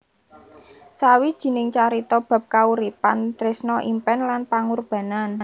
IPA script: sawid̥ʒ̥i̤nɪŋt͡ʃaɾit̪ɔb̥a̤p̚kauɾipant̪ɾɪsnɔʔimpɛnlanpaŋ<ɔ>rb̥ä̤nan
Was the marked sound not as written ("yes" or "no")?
yes